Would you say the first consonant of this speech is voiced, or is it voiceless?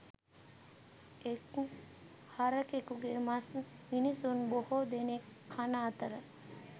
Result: voiceless